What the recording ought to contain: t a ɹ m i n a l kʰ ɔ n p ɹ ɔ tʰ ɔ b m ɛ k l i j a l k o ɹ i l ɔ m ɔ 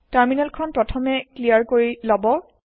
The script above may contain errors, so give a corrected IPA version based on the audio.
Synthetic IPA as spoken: t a ɹ m i n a l kʰ ɔ n p ɹ ɔ tʰ ɔ m ɛ k l i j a ɹ k o ɹ i l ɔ b ɔ

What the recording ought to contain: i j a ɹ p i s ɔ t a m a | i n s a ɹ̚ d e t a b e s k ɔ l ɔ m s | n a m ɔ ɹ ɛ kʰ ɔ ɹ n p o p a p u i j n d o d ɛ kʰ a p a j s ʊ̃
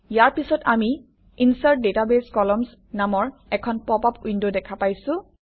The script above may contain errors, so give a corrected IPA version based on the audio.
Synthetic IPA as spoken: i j a ɹ p i s ɔ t a m i | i n s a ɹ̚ d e t a b e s k ɔ l ɔ m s | n a m ɔ ɹ ɛ kʰ ɔ n p ɔ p a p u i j n d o d ɛ kʰ a p a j s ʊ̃

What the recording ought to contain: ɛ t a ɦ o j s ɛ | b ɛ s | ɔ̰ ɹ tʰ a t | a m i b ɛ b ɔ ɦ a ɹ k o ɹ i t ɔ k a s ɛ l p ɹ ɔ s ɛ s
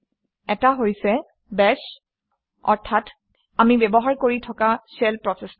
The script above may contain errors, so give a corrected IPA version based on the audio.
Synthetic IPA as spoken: ɛ t a ɦ o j s ɛ | b ɛ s | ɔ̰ ɹ tʰ a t | a m i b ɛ b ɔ ɦ a ɹ k o ɹ i tʰ ɔ k a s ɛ l p ɹ ɔ s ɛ s

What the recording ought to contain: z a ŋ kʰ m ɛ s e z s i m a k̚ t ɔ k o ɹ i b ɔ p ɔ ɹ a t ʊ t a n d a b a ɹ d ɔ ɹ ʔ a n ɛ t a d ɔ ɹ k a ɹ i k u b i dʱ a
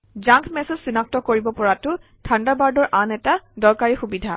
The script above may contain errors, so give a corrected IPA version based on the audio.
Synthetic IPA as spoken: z a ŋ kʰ m ɛ s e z s i n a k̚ t ɔ k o ɹ i b ɔ p ɔ ɹ a t ʊ tʰ a n d a b a ɹ d ɔ ɹ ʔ a n ɛ t a d ɔ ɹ k a ɹ i x u b i dʱ a

